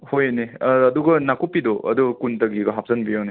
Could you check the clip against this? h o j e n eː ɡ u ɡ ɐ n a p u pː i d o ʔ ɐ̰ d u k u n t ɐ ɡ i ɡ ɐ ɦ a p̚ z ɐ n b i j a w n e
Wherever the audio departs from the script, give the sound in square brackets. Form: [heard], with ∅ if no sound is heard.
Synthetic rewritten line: h o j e n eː [d] u ɡ ɐ n a [k] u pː i d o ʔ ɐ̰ d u k u n t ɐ ɡ i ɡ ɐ ɦ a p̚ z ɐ n b i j a w n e